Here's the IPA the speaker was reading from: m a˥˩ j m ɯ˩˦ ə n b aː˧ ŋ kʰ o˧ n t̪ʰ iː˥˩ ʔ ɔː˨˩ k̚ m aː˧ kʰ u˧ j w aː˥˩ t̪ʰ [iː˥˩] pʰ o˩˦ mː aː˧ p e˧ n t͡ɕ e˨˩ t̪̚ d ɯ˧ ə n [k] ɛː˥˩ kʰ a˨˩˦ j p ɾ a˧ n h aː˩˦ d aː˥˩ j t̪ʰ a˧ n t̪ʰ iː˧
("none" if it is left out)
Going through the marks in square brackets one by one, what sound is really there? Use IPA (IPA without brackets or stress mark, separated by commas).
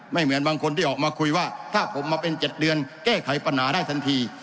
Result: aː˥˩, k